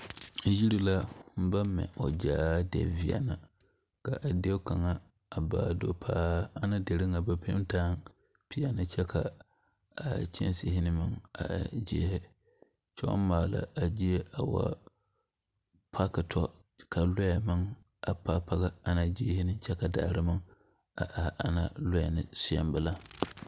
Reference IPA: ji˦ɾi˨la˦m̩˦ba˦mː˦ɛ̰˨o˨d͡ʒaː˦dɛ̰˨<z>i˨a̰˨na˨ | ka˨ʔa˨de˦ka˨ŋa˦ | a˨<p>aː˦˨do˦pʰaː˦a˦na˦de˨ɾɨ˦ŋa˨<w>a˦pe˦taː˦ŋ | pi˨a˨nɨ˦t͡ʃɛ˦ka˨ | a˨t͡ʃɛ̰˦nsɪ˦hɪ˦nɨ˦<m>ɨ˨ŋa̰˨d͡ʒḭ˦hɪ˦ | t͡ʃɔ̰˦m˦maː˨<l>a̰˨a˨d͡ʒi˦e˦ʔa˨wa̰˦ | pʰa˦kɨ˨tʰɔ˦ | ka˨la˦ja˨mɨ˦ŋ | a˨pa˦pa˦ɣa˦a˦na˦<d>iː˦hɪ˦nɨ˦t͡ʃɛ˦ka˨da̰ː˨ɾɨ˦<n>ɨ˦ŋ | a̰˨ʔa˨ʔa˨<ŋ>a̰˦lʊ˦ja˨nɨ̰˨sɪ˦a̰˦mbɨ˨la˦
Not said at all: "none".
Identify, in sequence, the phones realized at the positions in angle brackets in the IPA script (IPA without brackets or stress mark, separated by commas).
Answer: v, b, b, m, l, d͡ʒ, m, n